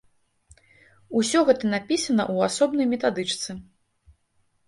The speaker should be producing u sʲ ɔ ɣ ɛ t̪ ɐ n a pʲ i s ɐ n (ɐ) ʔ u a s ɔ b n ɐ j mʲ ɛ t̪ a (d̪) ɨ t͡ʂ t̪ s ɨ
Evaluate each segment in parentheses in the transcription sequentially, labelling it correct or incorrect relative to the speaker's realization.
correct, correct

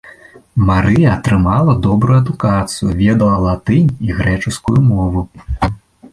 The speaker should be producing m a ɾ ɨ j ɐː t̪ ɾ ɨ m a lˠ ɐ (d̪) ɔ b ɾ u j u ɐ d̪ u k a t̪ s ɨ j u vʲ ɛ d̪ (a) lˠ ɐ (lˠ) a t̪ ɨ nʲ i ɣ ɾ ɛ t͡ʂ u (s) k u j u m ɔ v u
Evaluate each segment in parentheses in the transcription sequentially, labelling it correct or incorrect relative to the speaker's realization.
correct, incorrect, correct, correct

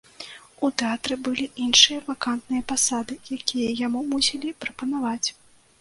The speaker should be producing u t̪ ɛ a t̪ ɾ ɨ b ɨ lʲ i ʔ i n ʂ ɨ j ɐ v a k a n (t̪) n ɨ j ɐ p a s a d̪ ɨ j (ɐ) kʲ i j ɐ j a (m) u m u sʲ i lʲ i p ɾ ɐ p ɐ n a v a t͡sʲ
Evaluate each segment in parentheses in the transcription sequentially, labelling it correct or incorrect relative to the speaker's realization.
correct, incorrect, correct

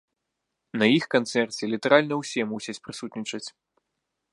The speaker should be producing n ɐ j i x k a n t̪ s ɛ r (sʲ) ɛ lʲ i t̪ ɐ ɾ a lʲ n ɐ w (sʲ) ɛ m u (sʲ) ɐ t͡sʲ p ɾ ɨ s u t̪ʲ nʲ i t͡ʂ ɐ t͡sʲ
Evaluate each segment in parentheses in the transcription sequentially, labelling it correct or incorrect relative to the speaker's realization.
incorrect, correct, correct

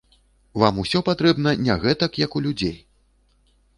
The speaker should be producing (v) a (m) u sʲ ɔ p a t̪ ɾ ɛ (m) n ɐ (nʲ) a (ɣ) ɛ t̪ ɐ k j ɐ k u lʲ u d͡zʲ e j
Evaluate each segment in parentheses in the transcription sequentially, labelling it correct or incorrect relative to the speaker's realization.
correct, correct, incorrect, correct, correct

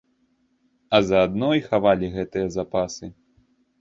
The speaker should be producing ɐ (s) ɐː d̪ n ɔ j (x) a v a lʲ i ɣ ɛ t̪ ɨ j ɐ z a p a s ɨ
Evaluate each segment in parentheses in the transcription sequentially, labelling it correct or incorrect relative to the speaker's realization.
incorrect, correct

